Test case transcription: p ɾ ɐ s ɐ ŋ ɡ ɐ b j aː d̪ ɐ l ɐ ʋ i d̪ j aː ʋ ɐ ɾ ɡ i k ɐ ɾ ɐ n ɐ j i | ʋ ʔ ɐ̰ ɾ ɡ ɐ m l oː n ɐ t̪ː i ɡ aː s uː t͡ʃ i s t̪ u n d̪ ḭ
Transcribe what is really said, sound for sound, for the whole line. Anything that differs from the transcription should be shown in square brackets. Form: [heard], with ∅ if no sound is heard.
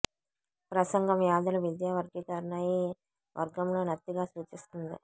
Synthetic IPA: p ɾ ɐ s ɐ ŋ ɡ ɐ [m] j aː d̪ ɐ l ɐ ʋ i d̪ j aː ʋ ɐ ɾ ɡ i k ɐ ɾ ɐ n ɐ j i | ʋ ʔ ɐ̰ ɾ ɡ ɐ m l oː n ɐ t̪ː i ɡ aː s uː t͡ʃ i s t̪ u n d̪ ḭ

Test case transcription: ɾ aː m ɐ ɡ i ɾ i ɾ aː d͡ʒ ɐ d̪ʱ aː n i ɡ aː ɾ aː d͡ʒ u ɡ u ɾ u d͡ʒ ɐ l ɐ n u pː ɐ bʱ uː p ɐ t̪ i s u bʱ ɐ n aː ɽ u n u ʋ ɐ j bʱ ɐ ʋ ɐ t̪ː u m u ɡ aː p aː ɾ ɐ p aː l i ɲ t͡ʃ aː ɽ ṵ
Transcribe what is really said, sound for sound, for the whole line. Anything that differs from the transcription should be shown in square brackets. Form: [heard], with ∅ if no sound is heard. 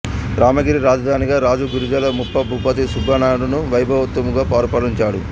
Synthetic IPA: ɾ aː m ɐ ɡ i ɾ i ɾ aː d͡ʒ ɐ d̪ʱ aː n i ɡ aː ɾ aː d͡ʒ u ɡ u ɾ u d͡ʒ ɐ l ɐ [m] u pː ɐ bʱ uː p ɐ t̪ i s u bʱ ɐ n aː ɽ u n u ʋ ɐ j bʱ ɐ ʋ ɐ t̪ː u m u ɡ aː p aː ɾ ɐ p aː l i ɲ t͡ʃ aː ɽ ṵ

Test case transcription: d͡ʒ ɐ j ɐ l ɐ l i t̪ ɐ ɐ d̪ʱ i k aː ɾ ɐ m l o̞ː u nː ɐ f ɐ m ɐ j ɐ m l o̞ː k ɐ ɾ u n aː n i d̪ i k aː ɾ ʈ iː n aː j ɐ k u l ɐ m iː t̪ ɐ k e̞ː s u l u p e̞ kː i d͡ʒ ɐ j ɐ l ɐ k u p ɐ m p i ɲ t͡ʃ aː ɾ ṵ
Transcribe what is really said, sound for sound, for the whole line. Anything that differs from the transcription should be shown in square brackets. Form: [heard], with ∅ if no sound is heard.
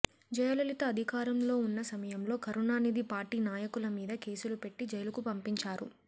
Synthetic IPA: d͡ʒ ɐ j ɐ l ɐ l i t̪ ɐ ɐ d̪ʱ i k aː ɾ ɐ m l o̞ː u nː ɐ [s] ɐ m ɐ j ɐ m l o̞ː k ɐ ɾ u n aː n i d̪ i [p] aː ɾ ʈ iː n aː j ɐ k u l ɐ m iː [d̪] ɐ k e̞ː s u l u p e̞ [ʈː] i d͡ʒ ɐ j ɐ l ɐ k u p ɐ m p i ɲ t͡ʃ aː ɾ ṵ

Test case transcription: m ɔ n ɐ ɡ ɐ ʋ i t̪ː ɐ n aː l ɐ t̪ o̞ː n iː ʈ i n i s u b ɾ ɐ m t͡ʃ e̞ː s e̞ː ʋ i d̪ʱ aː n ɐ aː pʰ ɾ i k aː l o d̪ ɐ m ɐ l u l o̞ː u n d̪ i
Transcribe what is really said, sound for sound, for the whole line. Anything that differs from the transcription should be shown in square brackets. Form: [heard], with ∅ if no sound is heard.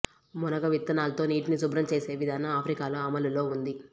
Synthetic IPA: m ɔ n ɐ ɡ ɐ ʋ i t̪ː ɐ n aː l ɐ t̪ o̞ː n iː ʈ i n i s u b ɾ ɐ m t͡ʃ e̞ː s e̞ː ʋ i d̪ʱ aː n ɐ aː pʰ ɾ i k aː l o [∅] ɐ m ɐ l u l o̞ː u n d̪ i

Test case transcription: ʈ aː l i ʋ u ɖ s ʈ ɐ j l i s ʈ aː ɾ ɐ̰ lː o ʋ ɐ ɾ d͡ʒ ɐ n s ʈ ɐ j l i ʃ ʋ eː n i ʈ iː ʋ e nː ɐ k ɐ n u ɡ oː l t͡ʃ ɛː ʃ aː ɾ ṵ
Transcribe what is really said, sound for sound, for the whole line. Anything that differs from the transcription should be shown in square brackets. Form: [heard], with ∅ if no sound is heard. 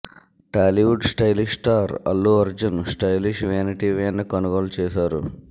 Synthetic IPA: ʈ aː l i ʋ u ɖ s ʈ ɐ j l i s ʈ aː ɾ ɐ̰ lː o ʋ ɐ ɾ d͡ʒ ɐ n s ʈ ɐ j l i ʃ ʋ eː n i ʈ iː ʋ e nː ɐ k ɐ n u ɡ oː l t͡ʃ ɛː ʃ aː ɾ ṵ

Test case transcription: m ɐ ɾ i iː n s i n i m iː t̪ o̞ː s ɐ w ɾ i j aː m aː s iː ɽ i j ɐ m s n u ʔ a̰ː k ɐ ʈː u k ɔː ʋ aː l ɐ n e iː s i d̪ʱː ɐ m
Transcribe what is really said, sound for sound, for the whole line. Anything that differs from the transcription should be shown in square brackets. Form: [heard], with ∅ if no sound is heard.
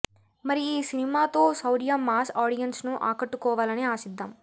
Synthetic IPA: m ɐ ɾ i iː [∅] s i n i m [aː] t̪ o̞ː s ɐ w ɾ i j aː m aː s [aː] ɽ i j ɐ [n] s n u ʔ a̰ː k ɐ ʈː u k ɔː ʋ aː l ɐ n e [aː] s i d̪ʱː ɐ m

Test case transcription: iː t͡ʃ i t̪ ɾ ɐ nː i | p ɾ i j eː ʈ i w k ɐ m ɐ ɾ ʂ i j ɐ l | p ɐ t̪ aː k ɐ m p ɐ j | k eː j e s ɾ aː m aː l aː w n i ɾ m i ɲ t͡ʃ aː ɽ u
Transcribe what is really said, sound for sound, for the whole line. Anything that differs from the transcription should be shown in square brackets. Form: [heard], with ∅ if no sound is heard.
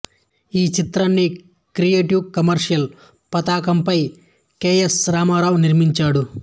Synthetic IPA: iː t͡ʃ i t̪ ɾ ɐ nː i | [k] ɾ i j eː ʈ i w k ɐ m ɐ ɾ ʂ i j ɐ l | p ɐ t̪ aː k ɐ m p ɐ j | k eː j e s ɾ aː m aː [ɾ] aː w n i ɾ m i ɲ t͡ʃ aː ɽ u

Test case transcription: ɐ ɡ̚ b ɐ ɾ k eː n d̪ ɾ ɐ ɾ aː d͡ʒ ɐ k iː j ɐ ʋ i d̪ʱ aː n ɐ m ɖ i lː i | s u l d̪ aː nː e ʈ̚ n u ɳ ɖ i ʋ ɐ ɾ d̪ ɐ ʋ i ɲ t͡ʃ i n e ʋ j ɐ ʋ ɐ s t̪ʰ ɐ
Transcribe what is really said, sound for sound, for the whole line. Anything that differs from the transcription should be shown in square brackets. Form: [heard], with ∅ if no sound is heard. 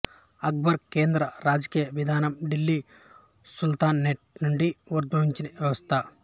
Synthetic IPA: ɐ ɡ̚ b ɐ ɾ k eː n d̪ ɾ ɐ ɾ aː d͡ʒ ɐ k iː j ɐ ʋ i d̪ʱ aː n ɐ m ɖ i lː i | s u l [t̪] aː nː e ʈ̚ n u ɳ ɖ i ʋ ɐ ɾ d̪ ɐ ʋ i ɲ t͡ʃ i n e ʋ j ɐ ʋ ɐ s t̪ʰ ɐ

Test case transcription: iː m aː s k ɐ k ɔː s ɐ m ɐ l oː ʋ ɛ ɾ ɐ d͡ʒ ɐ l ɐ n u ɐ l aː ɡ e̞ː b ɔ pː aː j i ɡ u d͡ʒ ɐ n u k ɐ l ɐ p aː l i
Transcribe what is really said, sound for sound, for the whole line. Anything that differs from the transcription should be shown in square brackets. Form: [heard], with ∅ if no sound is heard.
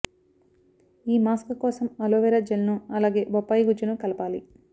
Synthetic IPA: iː m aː s k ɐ k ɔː s ɐ m ɐ l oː ʋ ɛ ɾ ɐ d͡ʒ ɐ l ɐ n u ɐ l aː ɡ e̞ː b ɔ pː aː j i ɡ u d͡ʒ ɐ n u k ɐ l ɐ p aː l i

